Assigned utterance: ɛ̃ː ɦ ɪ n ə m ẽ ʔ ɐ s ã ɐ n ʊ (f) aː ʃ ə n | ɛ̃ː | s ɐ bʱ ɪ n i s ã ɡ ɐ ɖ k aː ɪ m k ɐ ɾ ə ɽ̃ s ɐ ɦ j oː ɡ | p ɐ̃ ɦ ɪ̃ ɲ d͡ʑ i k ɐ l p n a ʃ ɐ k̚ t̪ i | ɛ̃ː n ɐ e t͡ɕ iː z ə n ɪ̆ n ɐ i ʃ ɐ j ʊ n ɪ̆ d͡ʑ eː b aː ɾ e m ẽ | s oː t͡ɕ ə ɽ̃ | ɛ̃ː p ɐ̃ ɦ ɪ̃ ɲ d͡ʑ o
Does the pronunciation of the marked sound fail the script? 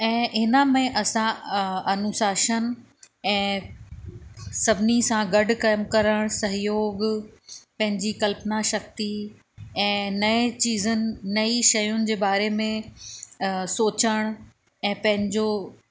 yes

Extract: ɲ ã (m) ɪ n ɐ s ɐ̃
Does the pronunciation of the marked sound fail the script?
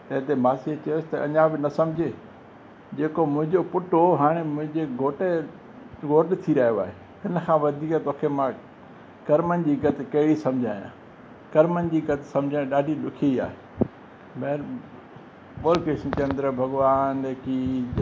yes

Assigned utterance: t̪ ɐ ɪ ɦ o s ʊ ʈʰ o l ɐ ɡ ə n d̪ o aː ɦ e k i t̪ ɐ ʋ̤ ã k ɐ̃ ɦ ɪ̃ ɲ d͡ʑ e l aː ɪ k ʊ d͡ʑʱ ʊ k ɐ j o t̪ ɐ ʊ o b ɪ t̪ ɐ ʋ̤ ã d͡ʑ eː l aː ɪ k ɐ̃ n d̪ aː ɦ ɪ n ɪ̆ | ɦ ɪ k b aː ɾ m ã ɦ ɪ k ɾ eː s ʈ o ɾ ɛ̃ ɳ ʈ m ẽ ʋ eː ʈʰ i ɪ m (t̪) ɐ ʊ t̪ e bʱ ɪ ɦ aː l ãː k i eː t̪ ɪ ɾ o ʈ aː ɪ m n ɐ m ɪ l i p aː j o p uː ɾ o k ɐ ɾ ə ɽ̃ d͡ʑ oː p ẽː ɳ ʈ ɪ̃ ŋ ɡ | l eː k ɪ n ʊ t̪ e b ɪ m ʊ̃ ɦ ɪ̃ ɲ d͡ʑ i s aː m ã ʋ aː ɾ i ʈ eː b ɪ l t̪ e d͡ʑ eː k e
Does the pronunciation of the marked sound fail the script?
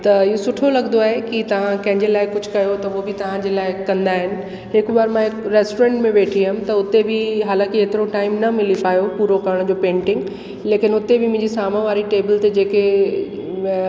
no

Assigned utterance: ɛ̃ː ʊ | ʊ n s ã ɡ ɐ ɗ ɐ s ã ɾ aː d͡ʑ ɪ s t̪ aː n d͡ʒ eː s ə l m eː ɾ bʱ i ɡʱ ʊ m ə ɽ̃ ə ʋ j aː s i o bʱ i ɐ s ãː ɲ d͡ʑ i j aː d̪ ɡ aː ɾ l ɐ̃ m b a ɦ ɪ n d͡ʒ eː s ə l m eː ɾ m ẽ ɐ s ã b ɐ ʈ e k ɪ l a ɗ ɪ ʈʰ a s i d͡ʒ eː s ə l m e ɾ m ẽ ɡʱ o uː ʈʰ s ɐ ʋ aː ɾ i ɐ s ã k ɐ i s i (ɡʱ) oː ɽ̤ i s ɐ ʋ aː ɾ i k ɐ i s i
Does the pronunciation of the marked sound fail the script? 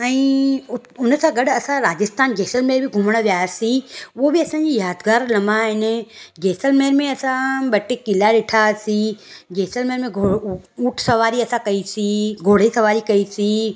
no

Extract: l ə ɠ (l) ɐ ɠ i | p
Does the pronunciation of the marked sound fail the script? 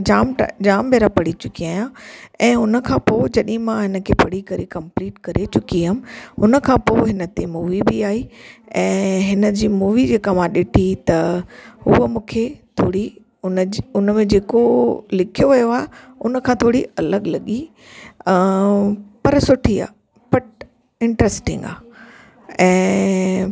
no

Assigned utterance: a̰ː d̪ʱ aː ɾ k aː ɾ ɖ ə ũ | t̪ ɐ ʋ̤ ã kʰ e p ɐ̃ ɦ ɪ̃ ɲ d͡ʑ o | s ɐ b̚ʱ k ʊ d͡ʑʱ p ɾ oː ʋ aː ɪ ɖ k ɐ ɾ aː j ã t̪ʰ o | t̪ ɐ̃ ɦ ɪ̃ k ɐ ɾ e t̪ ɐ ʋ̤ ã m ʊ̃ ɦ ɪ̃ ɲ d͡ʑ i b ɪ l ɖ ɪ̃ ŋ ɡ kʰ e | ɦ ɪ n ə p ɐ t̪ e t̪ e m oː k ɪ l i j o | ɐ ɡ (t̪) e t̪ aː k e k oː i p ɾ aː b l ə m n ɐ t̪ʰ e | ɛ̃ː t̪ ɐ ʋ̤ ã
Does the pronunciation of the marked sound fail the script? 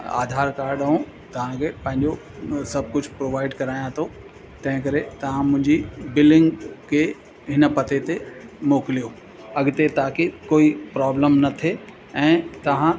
no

